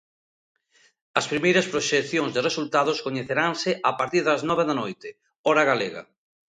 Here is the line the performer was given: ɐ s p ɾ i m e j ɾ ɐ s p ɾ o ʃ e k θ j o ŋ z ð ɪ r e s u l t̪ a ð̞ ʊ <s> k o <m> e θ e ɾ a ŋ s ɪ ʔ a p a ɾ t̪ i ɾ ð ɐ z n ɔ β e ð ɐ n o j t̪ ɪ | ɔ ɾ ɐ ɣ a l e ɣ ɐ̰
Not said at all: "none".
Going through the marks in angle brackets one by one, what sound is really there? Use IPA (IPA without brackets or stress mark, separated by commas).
s, ɲ